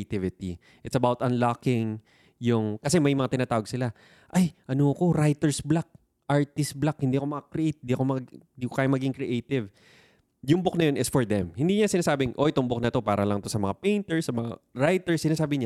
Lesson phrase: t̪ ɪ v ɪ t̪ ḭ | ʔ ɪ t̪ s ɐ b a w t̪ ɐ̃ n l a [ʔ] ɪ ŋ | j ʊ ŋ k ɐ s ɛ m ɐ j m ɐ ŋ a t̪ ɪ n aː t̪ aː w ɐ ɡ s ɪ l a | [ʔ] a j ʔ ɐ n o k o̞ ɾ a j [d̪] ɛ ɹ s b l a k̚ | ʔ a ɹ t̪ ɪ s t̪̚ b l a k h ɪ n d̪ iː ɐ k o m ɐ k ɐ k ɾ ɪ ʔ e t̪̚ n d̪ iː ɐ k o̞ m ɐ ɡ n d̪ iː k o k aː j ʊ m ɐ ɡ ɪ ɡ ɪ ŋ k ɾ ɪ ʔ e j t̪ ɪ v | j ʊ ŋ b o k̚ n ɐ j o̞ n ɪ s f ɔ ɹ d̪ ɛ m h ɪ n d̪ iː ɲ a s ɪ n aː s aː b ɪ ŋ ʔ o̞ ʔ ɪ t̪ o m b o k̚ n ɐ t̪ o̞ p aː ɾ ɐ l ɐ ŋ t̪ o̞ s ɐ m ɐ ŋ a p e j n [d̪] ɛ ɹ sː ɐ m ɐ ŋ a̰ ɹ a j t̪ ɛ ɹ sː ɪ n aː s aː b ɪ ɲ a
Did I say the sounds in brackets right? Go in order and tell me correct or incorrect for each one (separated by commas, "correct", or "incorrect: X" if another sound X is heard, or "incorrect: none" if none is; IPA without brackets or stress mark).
incorrect: k, correct, incorrect: t̪, incorrect: t̪